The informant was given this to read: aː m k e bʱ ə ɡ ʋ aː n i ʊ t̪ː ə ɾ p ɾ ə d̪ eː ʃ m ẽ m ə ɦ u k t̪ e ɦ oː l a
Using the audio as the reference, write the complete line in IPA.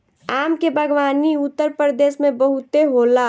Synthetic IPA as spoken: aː m k e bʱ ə ɡ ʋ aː n i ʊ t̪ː ə ɾ p ɾ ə d̪ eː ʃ m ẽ b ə ɦ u t̪ e ɦ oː l a